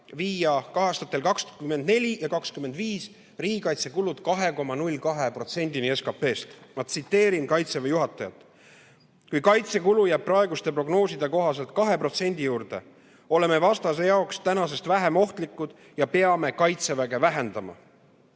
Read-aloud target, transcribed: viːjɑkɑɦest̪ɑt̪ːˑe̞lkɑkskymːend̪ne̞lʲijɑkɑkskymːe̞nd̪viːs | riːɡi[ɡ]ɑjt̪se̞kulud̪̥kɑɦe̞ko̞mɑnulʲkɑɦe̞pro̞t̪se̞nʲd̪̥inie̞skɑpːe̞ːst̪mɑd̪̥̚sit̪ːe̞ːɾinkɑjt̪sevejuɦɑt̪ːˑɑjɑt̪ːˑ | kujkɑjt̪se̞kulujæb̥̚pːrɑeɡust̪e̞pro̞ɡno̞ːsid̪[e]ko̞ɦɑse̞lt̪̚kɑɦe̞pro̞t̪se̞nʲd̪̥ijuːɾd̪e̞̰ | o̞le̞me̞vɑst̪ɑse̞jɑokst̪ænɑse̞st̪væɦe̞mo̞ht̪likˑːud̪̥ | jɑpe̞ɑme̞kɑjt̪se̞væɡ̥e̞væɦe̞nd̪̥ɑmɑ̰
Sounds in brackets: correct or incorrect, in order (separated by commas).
incorrect, correct